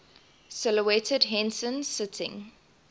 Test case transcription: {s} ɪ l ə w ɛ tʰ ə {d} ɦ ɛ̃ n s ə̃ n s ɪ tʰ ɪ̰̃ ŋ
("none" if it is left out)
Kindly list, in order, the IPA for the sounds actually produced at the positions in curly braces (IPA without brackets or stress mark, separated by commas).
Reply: s, d